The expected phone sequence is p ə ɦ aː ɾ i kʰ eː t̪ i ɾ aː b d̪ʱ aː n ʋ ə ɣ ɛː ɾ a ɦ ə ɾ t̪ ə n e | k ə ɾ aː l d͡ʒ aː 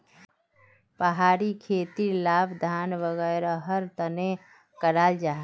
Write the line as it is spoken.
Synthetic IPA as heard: p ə ɦ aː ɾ i kʰ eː t̪ i l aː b d̪ʱ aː n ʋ ə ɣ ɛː ɾ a ɦ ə ɾ t̪ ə n e | k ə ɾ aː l d͡ʒ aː